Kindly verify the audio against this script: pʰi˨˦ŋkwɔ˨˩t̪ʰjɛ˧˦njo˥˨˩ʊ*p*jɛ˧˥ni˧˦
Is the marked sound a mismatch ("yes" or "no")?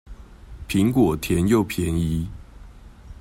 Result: yes